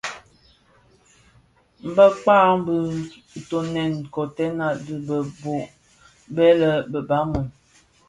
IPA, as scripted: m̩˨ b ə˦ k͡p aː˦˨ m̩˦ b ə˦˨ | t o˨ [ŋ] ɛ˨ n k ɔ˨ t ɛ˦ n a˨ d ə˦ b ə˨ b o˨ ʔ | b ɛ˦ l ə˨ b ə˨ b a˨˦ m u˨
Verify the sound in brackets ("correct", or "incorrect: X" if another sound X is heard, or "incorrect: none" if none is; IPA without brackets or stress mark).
incorrect: n